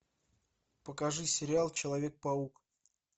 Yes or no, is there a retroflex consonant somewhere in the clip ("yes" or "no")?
yes